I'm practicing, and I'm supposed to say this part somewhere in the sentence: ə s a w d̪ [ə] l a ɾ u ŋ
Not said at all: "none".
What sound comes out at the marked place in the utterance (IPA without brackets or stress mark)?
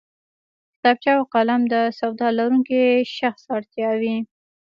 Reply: ɑ